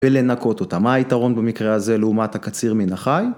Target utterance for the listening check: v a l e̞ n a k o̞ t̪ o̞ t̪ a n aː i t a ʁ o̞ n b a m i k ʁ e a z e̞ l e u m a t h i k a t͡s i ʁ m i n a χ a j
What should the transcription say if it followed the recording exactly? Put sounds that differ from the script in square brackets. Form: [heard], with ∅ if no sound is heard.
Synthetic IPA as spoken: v [e] l e̞ n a k o̞ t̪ o̞ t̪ a [m] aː i t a ʁ o̞ n b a m i k ʁ e a z e̞ l e u m a t h [a] k a t͡s i ʁ m i n a χ a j